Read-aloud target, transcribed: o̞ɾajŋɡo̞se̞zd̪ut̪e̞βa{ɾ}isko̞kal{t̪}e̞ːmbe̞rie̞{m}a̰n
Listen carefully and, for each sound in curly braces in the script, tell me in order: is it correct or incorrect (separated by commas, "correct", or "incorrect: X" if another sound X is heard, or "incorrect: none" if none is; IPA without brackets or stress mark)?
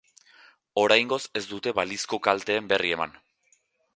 incorrect: l, correct, correct